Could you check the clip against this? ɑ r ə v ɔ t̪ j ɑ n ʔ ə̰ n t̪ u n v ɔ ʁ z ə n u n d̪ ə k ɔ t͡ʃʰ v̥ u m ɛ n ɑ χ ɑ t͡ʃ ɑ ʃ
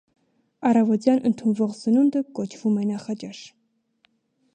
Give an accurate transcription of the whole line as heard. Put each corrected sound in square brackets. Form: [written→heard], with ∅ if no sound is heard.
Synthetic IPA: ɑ r [ə→ɑ] v ɔ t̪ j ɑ n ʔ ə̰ n [t̪→t̪ʰ] u n v ɔ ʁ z ə n u n d̪ ə k ɔ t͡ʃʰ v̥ u m ɛ n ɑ χ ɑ t͡ʃ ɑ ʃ